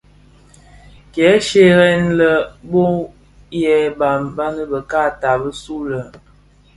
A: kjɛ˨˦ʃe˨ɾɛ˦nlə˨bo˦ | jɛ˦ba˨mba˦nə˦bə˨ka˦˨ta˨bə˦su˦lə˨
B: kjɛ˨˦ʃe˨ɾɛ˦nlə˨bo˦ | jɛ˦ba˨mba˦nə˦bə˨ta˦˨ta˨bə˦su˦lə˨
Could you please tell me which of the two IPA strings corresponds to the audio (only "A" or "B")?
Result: A